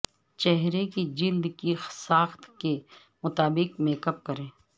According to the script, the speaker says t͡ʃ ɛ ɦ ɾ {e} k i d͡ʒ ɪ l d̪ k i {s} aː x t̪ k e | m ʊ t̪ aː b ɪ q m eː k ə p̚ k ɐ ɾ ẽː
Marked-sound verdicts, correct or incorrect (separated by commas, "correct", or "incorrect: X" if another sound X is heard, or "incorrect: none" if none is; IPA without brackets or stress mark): correct, correct